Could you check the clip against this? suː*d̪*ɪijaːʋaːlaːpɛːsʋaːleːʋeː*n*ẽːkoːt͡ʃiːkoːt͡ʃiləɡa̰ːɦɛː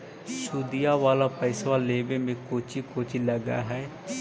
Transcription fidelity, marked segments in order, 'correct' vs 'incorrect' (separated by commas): correct, incorrect